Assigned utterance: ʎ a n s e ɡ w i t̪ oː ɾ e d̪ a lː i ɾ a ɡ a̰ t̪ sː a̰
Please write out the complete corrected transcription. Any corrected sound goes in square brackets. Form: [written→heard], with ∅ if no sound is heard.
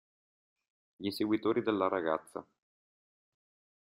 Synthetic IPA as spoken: ʎ [a→i] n s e ɡ w i t̪ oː ɾ [e→i] d̪ [a→e] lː [i→a] ɾ a ɡ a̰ t̪ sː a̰